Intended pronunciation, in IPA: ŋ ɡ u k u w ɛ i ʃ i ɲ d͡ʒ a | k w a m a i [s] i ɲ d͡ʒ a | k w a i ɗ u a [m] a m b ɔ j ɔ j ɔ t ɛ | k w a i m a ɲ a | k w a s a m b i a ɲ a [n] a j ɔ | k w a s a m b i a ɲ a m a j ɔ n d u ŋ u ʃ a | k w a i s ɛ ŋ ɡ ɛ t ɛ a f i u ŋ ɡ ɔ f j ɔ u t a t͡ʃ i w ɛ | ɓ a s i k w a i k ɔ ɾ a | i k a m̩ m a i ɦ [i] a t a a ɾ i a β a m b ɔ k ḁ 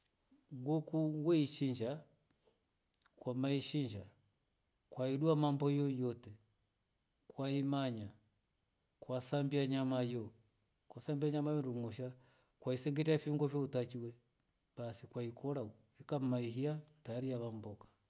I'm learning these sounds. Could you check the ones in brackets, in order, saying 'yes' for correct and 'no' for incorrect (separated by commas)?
no, yes, no, yes